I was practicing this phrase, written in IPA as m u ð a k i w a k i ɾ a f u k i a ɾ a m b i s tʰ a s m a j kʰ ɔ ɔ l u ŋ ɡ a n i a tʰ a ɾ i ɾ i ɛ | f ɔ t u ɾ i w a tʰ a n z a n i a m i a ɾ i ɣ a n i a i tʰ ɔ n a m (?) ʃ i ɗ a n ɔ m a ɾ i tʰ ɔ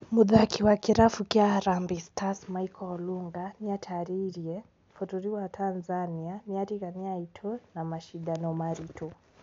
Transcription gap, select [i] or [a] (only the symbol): a